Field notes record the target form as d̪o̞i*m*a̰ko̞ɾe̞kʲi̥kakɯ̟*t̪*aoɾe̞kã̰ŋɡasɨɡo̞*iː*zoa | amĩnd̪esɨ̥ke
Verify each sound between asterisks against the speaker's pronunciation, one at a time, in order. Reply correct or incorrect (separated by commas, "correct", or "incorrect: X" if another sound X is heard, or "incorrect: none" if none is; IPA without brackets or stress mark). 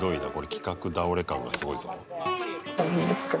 incorrect: n, incorrect: d̪, incorrect: i